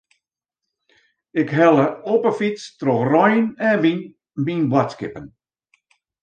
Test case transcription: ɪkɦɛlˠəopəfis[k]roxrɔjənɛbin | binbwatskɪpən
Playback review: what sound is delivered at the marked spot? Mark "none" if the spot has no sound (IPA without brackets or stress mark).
t